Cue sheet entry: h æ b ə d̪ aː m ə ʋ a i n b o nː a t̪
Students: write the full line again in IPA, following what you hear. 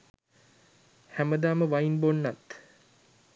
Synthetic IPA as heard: h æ m ə d̪ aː m ə ʋ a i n b o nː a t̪